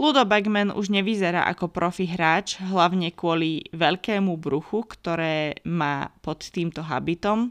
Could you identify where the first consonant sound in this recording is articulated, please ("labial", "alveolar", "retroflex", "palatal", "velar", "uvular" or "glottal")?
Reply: alveolar